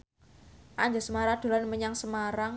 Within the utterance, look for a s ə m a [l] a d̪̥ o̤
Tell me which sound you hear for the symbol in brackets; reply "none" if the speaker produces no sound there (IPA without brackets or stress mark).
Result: ɾ